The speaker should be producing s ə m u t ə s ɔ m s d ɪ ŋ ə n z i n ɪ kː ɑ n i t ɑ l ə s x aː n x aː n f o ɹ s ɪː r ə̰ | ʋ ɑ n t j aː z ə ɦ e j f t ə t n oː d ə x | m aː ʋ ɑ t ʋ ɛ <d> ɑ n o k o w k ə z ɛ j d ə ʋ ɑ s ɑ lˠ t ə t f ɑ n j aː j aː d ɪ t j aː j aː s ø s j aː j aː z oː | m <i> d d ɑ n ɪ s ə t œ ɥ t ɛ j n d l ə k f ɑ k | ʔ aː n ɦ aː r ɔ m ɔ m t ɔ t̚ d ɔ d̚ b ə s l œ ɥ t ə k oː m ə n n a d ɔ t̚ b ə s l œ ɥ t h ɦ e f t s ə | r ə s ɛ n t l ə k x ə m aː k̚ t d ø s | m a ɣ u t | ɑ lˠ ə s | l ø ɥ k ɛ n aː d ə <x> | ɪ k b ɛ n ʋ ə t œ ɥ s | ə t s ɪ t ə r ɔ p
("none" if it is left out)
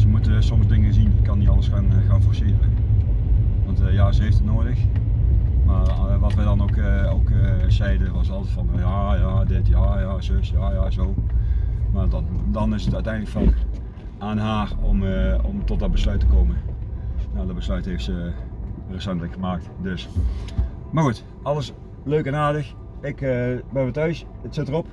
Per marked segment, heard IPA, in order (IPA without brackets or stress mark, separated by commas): d, a, x